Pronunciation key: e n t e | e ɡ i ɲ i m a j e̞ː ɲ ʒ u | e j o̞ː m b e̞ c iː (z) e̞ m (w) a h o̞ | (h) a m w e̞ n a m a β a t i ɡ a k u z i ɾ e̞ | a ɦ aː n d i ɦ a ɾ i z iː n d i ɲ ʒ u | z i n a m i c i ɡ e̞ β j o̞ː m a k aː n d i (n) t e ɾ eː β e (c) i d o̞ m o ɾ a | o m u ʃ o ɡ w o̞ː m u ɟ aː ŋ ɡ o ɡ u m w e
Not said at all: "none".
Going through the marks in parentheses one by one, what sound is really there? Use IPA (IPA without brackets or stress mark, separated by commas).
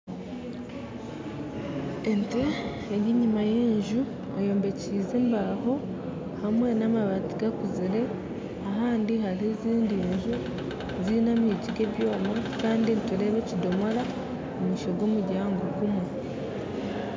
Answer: z, b, h, n, c